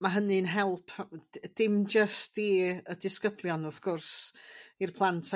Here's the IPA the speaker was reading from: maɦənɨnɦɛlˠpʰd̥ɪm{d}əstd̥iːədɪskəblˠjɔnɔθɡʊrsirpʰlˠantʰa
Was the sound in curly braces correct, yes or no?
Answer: no